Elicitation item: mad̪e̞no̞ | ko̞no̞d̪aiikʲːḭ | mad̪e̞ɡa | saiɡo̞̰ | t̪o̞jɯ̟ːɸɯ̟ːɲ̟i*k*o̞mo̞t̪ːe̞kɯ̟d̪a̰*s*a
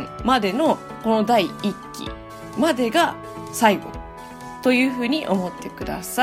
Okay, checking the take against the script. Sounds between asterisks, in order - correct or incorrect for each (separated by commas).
incorrect, correct